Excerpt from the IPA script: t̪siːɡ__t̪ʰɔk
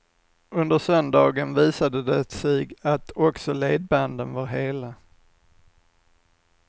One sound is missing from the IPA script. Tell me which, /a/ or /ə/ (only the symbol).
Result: a